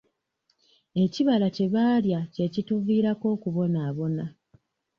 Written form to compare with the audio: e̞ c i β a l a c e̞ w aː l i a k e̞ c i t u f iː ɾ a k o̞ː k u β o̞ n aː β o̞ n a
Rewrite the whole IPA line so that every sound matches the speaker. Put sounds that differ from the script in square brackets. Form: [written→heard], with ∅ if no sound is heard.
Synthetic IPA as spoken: e̞ c i β a l a c e̞ [w→β] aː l [i→j] a [k→c] e̞ c i t u [f→v] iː ɾ a k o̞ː k u β o̞ n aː β o̞ n a